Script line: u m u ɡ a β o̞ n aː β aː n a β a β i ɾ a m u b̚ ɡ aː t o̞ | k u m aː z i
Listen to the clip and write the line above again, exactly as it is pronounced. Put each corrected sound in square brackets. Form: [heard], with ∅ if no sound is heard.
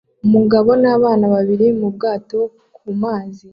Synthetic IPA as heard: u m u ɡ a β o̞ n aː β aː n a β a β i ɾ [i] m u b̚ ɡ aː t o̞ | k u m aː z i